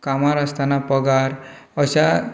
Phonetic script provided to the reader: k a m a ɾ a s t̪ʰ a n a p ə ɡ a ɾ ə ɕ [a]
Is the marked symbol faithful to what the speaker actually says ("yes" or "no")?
yes